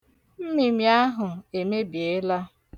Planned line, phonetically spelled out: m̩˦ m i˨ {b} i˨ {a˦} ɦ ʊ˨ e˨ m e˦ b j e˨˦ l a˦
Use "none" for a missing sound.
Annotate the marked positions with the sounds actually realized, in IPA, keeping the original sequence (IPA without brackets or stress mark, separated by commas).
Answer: m, a˦